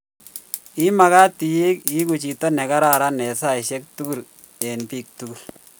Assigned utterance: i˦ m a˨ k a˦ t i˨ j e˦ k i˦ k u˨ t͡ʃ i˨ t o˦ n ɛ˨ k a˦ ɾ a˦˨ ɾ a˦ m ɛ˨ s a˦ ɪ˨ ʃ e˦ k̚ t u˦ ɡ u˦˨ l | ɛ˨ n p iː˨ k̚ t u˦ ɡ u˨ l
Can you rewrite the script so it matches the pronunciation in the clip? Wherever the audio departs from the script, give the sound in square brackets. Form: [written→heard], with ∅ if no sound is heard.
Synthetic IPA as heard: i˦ m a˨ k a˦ t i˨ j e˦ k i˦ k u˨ t͡ʃ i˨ t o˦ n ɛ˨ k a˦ ɾ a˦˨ ɾ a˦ [m→n] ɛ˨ s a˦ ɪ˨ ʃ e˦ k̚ t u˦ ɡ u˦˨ l | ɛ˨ n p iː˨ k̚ t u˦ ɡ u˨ l